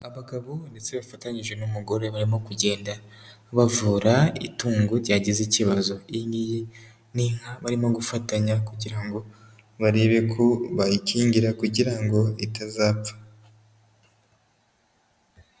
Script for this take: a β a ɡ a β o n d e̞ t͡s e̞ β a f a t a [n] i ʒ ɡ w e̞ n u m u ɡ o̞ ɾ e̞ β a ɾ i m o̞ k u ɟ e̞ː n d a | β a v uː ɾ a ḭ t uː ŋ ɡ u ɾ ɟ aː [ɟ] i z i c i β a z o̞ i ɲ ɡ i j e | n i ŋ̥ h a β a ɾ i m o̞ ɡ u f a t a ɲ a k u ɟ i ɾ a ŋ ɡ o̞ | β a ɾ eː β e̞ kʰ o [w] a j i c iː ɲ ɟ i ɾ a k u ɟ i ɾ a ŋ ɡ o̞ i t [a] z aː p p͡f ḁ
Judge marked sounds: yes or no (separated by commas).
no, yes, no, yes